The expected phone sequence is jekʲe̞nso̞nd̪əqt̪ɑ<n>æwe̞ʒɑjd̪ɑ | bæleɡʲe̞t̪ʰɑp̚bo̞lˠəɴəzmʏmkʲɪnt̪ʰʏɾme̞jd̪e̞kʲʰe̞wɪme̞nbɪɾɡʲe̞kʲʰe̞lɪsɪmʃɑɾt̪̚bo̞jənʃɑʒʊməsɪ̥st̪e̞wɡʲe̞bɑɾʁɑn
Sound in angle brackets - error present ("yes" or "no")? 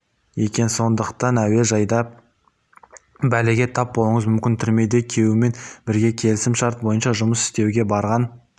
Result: no